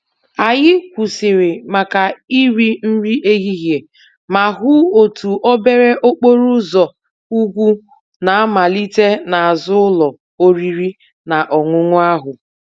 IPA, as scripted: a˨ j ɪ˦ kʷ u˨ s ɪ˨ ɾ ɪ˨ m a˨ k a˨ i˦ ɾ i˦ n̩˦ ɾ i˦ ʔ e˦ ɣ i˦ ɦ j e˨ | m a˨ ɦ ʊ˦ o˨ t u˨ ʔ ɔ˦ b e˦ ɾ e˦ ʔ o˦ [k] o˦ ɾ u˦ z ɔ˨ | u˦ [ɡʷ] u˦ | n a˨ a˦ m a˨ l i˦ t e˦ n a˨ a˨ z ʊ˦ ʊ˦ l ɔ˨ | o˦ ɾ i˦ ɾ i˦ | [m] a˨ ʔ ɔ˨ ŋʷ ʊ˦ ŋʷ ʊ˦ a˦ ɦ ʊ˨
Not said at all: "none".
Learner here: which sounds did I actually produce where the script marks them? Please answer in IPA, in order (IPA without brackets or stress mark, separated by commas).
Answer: k͡p, ɡʷ, n